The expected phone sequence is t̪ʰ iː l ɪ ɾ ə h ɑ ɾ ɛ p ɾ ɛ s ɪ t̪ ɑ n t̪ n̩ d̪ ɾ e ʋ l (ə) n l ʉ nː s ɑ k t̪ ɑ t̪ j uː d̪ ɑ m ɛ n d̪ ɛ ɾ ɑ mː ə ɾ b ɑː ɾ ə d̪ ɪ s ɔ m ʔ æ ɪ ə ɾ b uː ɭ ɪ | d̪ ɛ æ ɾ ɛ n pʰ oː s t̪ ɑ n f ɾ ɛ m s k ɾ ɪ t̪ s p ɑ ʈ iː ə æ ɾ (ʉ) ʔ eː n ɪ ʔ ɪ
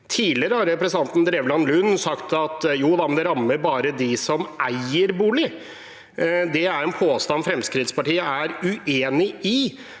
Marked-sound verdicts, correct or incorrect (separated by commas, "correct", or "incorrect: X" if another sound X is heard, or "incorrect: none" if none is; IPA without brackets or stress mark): incorrect: ɑ, correct